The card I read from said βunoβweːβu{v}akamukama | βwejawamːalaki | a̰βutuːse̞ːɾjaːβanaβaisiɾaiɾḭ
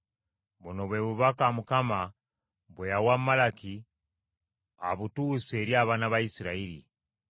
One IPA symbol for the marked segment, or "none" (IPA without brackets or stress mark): β